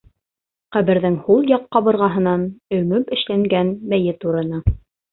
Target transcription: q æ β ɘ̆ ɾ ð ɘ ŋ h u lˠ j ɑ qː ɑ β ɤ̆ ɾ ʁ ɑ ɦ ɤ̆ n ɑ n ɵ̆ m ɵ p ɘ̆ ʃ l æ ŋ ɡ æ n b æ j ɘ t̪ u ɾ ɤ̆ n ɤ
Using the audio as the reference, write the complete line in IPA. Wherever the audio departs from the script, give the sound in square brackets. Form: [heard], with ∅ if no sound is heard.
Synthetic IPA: q æ β ɘ̆ ɾ ð ɘ ŋ h u lˠ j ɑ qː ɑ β ɤ̆ ɾ ʁ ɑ ɦ ɤ̆ n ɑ n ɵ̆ m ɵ p ɘ̆ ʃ l æ ŋ ɡ æ n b æ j ɘ t̪ u ɾ ɤ̆ n ɤ